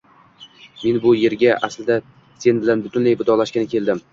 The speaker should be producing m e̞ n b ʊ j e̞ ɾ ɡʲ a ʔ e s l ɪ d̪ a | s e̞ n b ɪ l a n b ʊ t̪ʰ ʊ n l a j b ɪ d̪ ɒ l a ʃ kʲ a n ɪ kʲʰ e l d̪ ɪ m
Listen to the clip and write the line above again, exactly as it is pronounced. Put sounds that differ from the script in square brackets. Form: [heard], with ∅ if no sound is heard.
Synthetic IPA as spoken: m e̞ n b ʊ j e̞ ɾ ɡʲ a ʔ [a] s l ɪ d̪ a | s e̞ n b ɪ l a n b ʊ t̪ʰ ʊ n l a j b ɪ d̪ ɒ l a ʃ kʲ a n ɪ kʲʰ e l d̪ ɪ m

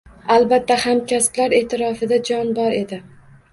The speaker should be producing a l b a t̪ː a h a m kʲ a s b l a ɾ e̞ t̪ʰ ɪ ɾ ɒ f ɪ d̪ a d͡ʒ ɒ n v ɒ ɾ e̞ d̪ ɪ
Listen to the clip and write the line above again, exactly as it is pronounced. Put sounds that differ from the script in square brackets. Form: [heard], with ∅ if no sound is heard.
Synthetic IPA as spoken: a l b a t̪ː a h a m kʲ a s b l a ɾ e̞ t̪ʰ ɪ ɾ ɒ f ɪ d̪ a d͡ʒ ɒ n [b] ɒ ɾ e̞ d̪ ɪ

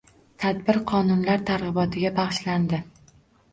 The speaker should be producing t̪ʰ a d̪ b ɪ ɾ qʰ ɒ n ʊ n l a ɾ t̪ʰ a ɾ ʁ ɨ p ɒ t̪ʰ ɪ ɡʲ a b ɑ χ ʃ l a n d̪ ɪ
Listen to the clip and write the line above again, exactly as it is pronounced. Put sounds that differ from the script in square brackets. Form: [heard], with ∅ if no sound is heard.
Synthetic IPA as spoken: t̪ʰ a d̪ b ɪ ɾ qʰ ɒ n ʊ n l a ɾ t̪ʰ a ɾ ʁ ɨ [b] ɒ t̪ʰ ɪ ɡʲ a b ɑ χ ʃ l a n d̪ ɪ

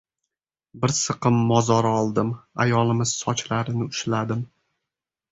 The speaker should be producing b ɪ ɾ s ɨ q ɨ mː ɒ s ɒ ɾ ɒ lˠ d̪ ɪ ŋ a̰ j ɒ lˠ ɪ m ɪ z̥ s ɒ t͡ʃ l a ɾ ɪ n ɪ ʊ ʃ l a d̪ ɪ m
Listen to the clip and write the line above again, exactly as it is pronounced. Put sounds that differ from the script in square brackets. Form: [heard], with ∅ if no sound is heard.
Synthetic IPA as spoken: b ɪ ɾ s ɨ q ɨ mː ɒ [z] ɒ ɾ ɒ lˠ d̪ ɪ [m] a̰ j ɒ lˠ ɪ m ɪ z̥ s ɒ t͡ʃ l a ɾ ɪ n ɪ ʊ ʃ l a d̪ ɪ m

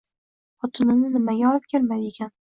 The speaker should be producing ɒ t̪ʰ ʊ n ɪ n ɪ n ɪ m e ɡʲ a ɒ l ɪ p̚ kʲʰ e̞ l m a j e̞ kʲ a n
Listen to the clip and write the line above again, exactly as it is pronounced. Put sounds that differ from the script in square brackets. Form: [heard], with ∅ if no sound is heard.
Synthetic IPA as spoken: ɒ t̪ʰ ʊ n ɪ n ɪ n ɪ m [a] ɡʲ a ɒ l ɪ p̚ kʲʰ e̞ l m a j e̞ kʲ a n

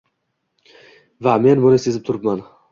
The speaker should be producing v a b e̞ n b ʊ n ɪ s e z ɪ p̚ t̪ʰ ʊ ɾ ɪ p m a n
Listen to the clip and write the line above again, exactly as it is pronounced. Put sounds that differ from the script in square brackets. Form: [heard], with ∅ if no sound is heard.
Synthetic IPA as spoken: v a [m] e̞ n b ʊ n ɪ s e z ɪ p̚ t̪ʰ ʊ ɾ ɪ p m a n

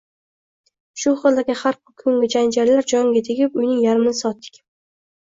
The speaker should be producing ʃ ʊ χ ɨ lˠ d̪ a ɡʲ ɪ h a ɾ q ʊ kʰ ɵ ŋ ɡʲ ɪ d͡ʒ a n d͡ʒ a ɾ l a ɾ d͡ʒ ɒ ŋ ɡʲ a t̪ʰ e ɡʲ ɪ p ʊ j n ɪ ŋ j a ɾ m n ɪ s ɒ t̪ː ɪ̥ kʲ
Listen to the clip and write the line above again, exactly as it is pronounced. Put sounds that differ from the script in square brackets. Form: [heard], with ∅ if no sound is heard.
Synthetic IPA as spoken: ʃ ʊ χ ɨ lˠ d̪ a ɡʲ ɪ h a ɾ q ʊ kʰ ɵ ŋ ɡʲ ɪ d͡ʒ a n d͡ʒ a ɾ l a ɾ d͡ʒ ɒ ŋ ɡʲ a t̪ʰ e ɡʲ ɪ p ʊ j n ɪ ŋ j a ɾ m n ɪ s ɒ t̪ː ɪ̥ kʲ

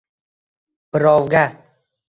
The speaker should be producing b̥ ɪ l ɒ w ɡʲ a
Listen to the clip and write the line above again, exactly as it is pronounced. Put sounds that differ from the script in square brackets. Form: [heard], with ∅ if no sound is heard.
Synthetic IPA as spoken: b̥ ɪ [ɾ] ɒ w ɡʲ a

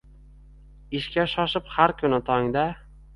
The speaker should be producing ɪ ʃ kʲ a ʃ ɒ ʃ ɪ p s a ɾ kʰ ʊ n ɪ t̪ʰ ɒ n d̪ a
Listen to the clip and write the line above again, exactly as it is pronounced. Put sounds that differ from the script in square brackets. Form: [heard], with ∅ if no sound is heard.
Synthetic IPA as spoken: ɪ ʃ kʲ a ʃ ɒ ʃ ɪ p [h] a ɾ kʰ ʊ n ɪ t̪ʰ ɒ [ŋ] d̪ a

